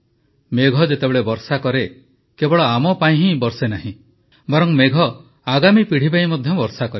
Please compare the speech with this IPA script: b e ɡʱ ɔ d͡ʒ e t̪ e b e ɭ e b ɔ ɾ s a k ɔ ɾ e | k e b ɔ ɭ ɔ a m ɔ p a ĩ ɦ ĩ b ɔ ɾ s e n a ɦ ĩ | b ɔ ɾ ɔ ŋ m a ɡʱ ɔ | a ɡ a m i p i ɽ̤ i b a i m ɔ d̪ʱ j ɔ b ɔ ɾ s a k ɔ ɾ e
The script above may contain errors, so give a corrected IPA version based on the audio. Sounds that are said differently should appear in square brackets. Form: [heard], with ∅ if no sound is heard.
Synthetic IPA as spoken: [m] e ɡʱ ɔ d͡ʒ e t̪ e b e ɭ e b ɔ ɾ s a k ɔ ɾ e | k e b ɔ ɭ ɔ a m ɔ p a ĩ ɦ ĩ b ɔ ɾ s e n a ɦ ĩ | b ɔ ɾ ɔ ŋ m [e] ɡʱ ɔ | a ɡ a m i p i ɽ̤ i b a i m ɔ d̪ʱ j ɔ b ɔ ɾ s a k ɔ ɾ e